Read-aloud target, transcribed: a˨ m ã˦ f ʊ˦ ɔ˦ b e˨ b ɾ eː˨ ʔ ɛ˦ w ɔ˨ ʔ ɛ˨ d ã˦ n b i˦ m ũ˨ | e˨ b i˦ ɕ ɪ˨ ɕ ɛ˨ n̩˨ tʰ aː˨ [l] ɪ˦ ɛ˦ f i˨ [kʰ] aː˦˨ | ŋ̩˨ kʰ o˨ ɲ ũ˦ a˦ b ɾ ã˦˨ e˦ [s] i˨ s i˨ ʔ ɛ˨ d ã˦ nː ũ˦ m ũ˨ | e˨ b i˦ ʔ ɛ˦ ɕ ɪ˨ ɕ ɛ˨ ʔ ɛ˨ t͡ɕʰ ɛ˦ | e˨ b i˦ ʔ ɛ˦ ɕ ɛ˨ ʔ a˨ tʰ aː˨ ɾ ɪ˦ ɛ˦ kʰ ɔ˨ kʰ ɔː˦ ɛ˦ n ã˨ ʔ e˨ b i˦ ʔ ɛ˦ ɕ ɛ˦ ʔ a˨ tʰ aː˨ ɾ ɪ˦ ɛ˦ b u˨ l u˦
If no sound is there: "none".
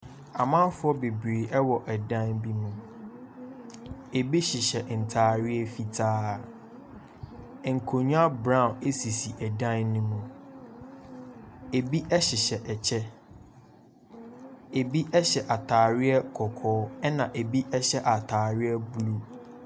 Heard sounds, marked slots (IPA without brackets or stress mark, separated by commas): ɾ, tʰ, s